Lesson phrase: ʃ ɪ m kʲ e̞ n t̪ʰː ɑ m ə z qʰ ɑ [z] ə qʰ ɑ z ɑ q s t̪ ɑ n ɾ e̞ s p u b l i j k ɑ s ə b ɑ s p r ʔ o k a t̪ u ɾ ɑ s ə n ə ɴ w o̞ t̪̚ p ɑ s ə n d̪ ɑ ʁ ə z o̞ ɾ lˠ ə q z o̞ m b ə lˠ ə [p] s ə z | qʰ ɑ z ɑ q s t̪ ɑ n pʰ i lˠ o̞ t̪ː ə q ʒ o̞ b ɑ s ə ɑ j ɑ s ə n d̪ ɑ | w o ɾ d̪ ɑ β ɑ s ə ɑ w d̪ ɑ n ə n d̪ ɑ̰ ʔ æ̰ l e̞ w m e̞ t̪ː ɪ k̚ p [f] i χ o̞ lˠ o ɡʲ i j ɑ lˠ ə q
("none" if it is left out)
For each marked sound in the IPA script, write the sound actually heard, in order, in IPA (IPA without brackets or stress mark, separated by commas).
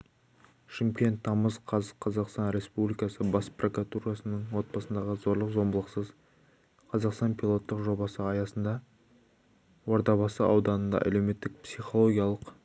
z, q, s